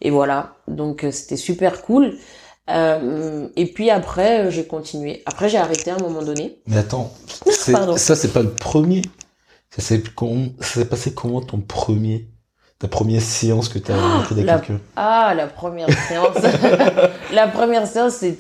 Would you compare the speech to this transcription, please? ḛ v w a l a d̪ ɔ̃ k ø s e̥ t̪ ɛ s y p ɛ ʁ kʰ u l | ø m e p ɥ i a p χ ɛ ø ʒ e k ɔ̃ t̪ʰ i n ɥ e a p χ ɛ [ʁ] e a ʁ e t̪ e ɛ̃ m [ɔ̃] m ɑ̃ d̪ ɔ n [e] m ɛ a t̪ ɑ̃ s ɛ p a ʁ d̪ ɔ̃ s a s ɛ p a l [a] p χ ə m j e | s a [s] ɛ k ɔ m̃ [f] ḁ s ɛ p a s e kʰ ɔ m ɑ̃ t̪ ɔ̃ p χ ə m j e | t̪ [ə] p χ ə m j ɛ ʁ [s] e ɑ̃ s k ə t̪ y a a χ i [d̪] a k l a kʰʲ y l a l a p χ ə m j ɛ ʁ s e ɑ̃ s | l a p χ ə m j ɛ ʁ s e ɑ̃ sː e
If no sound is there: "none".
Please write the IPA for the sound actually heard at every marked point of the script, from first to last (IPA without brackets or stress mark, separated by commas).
ʒ, ɔ, e, ə, s, s, a, s, d̪